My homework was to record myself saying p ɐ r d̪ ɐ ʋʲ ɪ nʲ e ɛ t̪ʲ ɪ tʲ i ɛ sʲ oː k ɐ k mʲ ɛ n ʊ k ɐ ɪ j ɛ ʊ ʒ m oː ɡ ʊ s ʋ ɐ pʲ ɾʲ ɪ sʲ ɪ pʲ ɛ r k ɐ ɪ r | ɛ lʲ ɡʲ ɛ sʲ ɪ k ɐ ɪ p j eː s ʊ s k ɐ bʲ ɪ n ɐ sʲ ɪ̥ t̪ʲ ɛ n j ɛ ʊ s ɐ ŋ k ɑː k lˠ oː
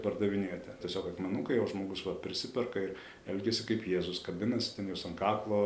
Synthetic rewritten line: p ɐ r d̪ ɐ ʋʲ ɪ nʲ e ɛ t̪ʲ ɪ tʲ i ɛ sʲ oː k ɐ k mʲ ɛ n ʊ k ɐ ɪ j ɛ ʊ ʒ m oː ɡ ʊ s ʋ ɐ pʲ ɾʲ ɪ sʲ ɪ pʲ ɛ r k ɐ ɪ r | ɛ lʲ ɡʲ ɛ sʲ ɪ k ɐ ɪ p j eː z ʊ s k ɐ bʲ ɪ n ɐ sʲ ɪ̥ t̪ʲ ɛ n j ɛ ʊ s ɐ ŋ k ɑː k lˠ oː